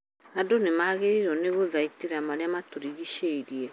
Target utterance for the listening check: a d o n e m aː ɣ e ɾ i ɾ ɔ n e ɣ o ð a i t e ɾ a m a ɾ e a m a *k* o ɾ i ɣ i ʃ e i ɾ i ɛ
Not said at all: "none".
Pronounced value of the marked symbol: t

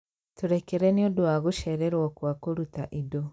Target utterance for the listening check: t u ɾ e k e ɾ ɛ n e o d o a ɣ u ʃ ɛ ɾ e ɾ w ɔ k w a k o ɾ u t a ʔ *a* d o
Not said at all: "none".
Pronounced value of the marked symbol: i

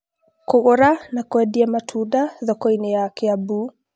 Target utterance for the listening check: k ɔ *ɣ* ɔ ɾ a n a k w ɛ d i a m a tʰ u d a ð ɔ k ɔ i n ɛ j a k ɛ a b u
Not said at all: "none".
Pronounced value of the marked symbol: ɣ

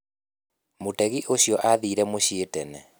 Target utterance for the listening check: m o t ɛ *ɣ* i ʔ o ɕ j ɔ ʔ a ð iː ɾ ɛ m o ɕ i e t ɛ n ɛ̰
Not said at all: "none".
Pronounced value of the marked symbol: ɣ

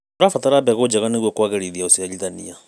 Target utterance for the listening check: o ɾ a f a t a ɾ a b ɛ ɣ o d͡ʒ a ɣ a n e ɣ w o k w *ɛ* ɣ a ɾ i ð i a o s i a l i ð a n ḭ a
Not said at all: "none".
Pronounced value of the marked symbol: a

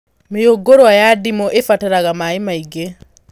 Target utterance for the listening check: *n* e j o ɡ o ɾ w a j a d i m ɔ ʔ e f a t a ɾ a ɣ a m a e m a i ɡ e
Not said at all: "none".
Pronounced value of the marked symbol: m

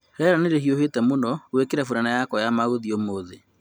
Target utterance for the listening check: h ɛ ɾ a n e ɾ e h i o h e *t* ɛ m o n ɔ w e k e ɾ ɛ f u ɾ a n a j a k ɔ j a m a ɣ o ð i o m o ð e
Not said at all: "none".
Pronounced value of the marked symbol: t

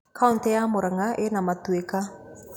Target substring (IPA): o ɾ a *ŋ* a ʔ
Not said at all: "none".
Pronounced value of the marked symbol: ŋ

